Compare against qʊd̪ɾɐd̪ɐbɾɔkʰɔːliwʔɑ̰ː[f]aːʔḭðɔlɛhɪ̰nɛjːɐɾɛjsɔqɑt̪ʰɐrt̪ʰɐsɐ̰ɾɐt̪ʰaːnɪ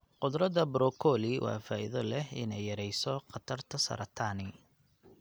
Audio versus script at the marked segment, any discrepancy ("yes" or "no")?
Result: no